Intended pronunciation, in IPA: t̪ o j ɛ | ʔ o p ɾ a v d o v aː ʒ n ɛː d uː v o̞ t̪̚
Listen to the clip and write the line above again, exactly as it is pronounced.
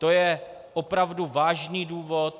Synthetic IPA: t̪ o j ɛ | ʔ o p ɾ a v d u v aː ʒ n iː d uː v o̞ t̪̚